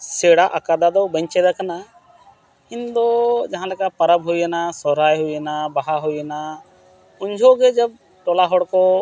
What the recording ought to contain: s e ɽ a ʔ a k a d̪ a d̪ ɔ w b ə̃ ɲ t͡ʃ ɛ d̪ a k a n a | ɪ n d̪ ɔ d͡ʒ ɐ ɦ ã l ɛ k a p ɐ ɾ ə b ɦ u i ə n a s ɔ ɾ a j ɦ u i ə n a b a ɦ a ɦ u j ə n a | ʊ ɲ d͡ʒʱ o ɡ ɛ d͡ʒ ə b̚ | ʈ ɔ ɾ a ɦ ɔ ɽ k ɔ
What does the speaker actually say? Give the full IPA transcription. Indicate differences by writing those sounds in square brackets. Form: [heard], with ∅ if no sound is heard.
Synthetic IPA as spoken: s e ɽ a ʔ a k a d̪ a d̪ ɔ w b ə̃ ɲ t͡ʃ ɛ d̪ a k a n a | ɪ n d̪ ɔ d͡ʒ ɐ ɦ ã l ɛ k a p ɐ ɾ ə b ɦ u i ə n a s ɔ ɾ a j ɦ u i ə n a b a ɦ a ɦ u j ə n a | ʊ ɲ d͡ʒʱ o ɡ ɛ d͡ʒ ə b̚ | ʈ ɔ [l] a ɦ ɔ ɽ k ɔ